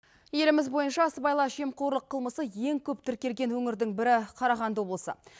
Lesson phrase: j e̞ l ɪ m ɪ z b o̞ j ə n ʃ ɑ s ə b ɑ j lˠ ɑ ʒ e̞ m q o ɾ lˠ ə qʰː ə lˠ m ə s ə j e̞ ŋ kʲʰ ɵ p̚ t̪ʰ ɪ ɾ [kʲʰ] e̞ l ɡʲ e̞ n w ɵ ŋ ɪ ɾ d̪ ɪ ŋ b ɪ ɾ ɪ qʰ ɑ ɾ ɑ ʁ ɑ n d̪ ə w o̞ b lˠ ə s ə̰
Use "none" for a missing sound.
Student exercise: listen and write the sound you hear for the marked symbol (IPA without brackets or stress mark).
kʲ